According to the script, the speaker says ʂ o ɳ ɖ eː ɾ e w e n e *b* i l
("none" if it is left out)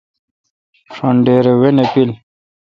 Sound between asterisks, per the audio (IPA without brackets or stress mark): p